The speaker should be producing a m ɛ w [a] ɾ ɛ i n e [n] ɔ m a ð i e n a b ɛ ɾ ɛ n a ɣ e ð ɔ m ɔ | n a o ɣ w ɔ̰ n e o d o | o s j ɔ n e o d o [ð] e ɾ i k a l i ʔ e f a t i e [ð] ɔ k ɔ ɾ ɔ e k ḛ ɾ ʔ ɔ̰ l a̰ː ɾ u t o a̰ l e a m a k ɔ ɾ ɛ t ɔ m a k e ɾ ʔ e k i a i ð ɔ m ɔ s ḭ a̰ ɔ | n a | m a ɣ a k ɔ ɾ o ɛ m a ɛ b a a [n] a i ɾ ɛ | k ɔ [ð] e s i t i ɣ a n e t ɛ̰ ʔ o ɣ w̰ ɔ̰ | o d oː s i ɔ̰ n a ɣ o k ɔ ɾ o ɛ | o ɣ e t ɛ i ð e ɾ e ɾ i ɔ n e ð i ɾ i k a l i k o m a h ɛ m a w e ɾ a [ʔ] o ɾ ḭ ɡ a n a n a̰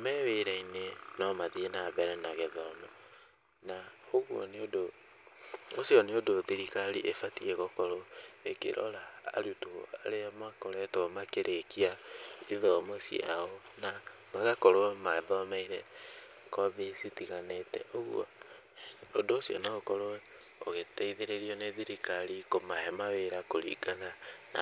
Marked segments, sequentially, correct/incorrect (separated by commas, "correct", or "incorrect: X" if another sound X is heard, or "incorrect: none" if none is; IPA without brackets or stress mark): incorrect: e, correct, correct, incorrect: ɣ, incorrect: m, correct, incorrect: k